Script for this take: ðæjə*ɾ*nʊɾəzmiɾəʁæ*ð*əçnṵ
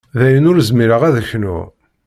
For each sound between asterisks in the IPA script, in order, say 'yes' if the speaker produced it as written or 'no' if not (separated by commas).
no, yes